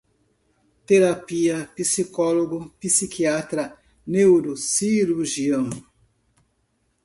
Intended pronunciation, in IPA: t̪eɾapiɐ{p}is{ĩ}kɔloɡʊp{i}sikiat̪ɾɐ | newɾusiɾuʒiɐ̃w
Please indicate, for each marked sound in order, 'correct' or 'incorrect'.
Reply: correct, incorrect: i, correct

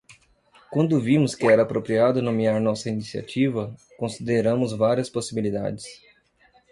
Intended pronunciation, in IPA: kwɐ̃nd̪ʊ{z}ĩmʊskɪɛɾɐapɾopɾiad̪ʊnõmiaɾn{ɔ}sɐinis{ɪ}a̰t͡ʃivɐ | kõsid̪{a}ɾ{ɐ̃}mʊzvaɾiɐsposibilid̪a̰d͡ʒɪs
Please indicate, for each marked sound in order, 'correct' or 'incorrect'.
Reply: incorrect: v, correct, incorrect: i, incorrect: e, correct

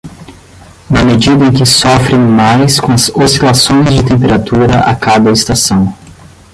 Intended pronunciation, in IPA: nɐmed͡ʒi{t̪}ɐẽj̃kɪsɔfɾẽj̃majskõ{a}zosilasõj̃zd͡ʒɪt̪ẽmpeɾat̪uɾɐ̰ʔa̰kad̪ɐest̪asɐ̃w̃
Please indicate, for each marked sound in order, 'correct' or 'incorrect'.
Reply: incorrect: d̪, incorrect: ɐ

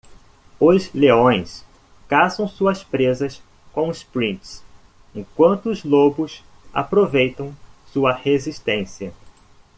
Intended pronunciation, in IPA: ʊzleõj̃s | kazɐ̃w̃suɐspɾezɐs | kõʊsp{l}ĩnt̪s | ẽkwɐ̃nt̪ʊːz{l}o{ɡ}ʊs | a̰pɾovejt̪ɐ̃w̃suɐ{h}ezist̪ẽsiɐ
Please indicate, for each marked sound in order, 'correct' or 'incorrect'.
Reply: incorrect: ɾ, correct, incorrect: b, correct

